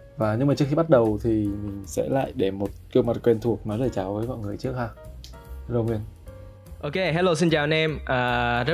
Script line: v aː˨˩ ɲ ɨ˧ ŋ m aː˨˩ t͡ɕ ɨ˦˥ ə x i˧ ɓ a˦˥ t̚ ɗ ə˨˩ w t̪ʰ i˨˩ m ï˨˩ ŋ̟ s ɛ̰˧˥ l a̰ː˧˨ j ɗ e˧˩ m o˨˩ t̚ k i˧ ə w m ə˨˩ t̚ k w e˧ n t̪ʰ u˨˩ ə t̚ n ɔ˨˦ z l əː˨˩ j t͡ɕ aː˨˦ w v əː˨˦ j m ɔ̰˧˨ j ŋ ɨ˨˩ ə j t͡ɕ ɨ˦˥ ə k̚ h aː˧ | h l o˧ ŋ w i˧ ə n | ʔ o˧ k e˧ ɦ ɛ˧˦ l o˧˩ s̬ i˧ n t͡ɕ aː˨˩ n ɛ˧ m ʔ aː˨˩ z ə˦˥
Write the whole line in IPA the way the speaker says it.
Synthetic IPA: v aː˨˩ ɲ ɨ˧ ŋ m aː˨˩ t͡ɕ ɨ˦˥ ə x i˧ ɓ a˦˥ t̚ ɗ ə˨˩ w t̪ʰ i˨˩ m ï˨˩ ŋ̟ s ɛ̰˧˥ l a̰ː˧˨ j ɗ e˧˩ m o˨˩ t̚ k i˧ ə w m a˨˩ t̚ k w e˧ n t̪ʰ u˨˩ ə k̚ n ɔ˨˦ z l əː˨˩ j t͡ɕ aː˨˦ w v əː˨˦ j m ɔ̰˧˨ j ŋ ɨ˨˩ ə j t͡ɕ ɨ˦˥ ə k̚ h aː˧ | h l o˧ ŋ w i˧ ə n | ʔ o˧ k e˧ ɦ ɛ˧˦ l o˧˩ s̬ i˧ n t͡ɕ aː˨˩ n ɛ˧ m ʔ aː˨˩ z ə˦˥